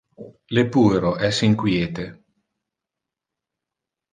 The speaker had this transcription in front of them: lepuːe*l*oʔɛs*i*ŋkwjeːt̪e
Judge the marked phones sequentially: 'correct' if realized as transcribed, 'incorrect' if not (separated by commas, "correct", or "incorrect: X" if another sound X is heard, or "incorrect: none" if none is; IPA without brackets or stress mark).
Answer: incorrect: ɾ, correct